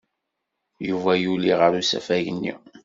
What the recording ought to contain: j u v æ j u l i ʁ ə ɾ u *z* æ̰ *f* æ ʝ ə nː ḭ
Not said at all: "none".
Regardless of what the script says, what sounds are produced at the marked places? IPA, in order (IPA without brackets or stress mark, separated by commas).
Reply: s, f